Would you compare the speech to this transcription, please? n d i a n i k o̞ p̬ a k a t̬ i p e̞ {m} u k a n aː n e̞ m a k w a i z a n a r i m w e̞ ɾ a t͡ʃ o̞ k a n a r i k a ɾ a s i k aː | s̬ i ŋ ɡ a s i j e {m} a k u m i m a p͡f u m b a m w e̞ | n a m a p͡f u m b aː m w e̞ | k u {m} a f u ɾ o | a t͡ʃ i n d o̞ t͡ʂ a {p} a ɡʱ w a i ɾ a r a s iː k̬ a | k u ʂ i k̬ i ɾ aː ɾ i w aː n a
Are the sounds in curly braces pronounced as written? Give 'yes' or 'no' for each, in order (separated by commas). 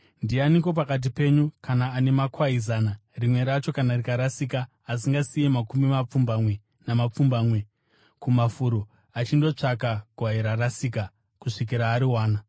no, yes, yes, no